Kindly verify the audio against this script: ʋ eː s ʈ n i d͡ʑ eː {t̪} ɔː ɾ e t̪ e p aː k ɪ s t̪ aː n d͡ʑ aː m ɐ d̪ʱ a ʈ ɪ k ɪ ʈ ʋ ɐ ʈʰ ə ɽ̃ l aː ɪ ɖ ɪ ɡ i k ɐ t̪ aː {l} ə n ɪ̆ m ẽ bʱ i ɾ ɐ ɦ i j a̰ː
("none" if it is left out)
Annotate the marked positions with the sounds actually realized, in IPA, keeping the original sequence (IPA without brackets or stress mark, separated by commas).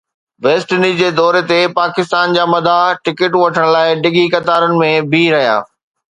d̪, ɾ